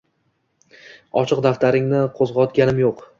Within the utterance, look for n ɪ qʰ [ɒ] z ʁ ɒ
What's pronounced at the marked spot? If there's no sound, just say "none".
o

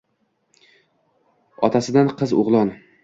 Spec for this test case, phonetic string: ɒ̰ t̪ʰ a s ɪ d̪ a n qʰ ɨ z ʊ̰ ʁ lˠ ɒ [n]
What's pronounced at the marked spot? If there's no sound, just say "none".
n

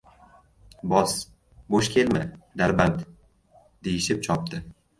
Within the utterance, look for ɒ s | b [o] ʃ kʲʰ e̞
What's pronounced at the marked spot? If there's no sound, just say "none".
o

